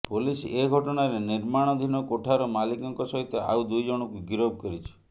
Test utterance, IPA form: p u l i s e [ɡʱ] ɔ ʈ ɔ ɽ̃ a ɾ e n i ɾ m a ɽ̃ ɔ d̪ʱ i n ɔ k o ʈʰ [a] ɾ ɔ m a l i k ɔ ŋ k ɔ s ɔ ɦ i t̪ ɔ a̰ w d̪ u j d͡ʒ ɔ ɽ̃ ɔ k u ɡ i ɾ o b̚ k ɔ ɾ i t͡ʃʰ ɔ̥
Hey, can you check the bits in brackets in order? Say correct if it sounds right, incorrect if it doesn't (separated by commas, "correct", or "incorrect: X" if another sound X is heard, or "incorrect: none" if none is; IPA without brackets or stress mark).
correct, correct